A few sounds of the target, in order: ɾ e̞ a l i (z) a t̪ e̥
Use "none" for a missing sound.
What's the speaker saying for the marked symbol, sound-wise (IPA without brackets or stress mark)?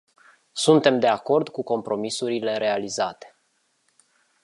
z